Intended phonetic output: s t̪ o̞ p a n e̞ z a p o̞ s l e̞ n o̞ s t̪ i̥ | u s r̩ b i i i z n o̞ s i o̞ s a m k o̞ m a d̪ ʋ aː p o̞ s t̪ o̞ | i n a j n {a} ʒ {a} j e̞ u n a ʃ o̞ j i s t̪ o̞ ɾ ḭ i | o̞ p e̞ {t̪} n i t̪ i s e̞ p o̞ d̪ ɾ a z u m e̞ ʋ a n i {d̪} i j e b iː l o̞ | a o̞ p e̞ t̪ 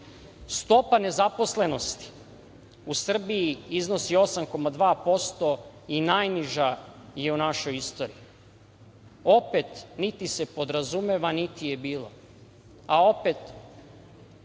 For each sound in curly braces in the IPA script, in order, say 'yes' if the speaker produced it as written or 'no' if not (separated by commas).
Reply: no, yes, yes, no